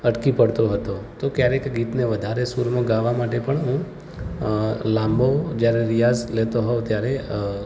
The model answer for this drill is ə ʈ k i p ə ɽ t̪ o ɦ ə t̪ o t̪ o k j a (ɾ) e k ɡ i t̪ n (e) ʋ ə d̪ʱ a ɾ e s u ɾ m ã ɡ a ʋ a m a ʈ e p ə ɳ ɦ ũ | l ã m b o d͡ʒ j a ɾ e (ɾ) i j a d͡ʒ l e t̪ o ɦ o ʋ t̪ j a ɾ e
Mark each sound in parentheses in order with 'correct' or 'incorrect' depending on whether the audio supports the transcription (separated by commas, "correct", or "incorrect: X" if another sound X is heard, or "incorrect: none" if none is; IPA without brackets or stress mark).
correct, correct, correct